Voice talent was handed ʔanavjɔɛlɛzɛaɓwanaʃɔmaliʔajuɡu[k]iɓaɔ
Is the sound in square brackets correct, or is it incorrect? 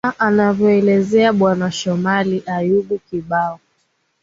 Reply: correct